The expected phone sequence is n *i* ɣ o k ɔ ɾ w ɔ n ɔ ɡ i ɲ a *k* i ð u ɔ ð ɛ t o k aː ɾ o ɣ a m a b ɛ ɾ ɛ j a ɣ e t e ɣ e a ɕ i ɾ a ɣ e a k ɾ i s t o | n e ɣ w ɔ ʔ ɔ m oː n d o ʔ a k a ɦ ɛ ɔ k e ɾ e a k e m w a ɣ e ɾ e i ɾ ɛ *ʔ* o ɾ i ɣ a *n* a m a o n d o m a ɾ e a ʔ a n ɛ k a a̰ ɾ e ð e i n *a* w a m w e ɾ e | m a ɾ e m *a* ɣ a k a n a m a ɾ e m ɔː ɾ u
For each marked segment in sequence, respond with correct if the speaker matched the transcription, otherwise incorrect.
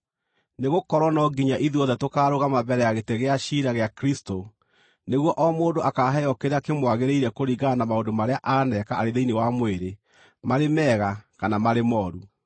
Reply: incorrect: e, incorrect: ʔ, incorrect: k, correct, incorrect: e, incorrect: ɛ

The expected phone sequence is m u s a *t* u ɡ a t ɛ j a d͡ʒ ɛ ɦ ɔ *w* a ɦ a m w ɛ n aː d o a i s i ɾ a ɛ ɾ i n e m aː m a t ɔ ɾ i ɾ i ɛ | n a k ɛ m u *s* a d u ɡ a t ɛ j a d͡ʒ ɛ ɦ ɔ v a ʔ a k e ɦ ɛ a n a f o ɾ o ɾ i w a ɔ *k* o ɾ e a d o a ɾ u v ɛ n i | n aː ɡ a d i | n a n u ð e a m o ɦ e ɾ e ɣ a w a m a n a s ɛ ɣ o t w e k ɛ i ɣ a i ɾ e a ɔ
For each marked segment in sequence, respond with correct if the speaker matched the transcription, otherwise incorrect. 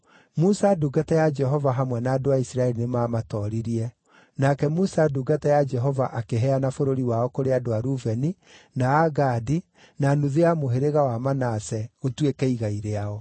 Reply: incorrect: d, incorrect: v, correct, correct

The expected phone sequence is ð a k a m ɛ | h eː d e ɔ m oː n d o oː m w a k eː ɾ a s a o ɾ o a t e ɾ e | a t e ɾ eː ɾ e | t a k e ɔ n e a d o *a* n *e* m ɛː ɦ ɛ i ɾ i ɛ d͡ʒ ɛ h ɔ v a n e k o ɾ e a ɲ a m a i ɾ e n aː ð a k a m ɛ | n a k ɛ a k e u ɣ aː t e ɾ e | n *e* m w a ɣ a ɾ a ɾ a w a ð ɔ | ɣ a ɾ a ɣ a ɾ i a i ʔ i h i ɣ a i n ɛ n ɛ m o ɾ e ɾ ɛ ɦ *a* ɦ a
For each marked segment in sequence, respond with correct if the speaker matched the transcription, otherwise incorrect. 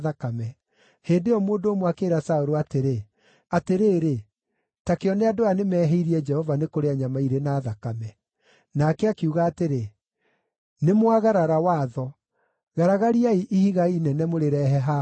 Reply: correct, correct, correct, incorrect: ɛ

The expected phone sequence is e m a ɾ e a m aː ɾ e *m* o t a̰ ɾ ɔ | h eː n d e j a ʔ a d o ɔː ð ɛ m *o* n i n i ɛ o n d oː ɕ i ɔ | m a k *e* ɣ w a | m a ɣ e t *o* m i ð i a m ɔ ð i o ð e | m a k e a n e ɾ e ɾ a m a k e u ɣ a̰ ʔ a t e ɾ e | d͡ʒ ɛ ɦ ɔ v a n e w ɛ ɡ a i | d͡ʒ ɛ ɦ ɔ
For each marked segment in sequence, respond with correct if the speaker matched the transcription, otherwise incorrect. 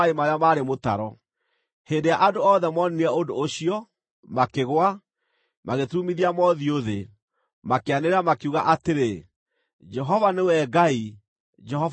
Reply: correct, incorrect: ɔ, correct, incorrect: u

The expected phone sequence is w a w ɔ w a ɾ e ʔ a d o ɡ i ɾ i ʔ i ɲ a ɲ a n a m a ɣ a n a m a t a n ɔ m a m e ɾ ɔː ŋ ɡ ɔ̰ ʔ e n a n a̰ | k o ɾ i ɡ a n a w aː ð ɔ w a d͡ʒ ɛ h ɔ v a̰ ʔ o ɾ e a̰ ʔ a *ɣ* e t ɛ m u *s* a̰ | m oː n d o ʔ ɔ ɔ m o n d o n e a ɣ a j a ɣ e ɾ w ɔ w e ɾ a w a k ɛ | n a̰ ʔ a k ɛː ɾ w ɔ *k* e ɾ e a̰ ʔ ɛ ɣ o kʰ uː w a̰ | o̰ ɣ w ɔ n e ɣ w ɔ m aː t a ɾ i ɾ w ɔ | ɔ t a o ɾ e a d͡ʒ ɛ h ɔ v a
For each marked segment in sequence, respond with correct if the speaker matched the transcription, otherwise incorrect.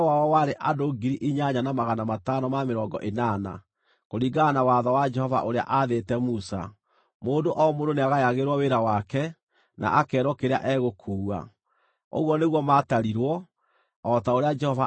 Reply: incorrect: ð, correct, correct

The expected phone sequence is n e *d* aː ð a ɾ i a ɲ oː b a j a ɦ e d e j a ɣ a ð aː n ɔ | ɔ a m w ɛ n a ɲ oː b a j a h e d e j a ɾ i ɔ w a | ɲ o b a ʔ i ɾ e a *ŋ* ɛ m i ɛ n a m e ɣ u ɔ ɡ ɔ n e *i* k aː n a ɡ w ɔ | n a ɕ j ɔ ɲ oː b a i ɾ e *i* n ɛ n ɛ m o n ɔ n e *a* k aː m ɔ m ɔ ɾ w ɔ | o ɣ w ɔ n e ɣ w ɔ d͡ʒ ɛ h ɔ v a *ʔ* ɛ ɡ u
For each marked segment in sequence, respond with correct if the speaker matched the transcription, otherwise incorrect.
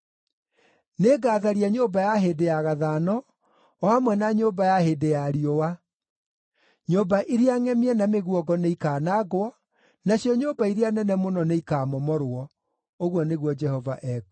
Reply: incorrect: ɡ, correct, correct, incorrect: a, incorrect: i, correct

